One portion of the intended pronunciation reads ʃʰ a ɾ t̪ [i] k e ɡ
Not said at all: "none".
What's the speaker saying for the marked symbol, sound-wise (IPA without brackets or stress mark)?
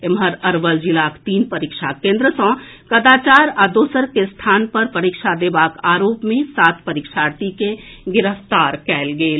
i